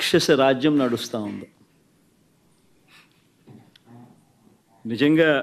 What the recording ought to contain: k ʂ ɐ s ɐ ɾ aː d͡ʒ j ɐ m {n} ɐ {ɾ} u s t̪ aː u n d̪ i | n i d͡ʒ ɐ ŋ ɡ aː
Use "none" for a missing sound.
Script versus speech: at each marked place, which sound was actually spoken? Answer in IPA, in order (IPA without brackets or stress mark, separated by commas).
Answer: n, ɽ